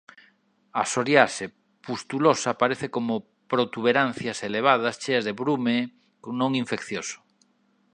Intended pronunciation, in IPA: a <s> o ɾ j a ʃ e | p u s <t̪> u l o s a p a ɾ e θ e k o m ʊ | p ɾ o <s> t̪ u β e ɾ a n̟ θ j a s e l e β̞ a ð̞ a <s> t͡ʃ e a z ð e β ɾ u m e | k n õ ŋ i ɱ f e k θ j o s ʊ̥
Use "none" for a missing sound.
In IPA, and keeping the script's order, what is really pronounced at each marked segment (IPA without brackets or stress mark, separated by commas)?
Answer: s, t̪, none, s